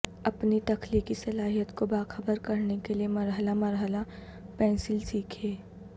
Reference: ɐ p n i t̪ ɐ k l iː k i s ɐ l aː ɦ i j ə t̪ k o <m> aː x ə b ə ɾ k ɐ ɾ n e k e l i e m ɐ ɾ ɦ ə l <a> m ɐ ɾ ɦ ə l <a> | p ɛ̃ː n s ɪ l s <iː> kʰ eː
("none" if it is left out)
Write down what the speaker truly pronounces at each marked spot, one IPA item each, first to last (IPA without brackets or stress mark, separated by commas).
b, a, a, iː